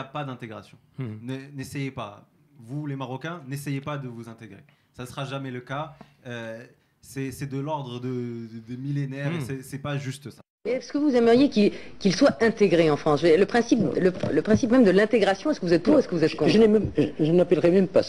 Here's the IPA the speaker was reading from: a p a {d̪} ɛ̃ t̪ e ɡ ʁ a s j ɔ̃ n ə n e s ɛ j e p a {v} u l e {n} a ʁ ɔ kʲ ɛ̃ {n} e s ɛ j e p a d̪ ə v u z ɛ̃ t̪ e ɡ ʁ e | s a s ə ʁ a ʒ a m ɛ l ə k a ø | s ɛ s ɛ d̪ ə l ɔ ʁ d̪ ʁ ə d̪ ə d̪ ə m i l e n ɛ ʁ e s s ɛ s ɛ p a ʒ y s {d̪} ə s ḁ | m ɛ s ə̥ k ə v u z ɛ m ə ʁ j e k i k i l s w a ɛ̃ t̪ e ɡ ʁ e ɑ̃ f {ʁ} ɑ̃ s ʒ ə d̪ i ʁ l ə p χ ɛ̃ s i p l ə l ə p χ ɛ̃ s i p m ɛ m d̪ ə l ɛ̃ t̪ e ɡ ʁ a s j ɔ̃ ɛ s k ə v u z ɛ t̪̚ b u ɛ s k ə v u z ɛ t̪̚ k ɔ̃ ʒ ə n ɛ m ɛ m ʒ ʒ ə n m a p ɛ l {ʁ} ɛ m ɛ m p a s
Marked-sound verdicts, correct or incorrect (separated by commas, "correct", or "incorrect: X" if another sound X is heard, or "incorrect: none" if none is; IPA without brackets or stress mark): correct, correct, incorrect: m, correct, incorrect: t̪, incorrect: χ, correct